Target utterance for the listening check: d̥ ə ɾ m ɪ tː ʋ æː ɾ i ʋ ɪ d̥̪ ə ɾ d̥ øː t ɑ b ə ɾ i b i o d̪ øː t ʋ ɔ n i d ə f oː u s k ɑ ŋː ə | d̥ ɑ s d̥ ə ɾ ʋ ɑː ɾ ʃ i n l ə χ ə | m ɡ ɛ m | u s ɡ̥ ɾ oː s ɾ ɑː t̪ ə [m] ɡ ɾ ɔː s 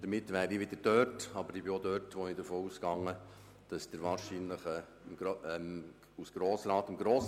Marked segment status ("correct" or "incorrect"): correct